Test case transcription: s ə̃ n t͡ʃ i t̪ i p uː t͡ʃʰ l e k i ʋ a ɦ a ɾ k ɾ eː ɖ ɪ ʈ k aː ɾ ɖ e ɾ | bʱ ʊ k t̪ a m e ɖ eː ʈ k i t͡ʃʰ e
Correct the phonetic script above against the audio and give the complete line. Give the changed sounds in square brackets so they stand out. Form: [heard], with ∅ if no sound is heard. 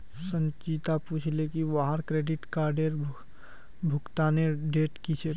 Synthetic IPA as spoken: s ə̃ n t͡ʃ i t̪ [a] p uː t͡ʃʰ l e k i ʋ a ɦ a ɾ k ɾ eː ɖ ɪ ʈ k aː ɾ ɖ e ɾ | bʱ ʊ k t̪ a [n] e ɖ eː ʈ k i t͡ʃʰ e